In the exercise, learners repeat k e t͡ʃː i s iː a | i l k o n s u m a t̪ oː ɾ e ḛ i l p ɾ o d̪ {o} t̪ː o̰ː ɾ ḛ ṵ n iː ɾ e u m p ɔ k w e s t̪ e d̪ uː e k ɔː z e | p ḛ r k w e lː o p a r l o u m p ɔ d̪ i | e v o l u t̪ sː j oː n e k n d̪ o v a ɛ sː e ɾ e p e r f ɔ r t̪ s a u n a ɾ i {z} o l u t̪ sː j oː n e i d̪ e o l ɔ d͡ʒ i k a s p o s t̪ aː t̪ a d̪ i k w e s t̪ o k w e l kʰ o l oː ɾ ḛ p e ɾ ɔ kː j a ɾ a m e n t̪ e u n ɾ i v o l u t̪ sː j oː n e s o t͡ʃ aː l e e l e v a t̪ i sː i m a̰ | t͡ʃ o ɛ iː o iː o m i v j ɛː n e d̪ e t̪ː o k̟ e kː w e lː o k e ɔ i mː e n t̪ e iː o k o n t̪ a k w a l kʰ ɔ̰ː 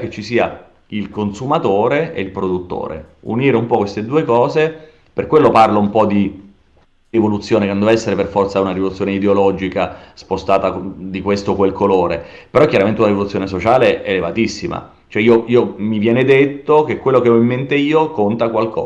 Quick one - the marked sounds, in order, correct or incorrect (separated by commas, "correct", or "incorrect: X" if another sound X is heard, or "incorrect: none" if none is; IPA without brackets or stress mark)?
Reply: incorrect: u, incorrect: v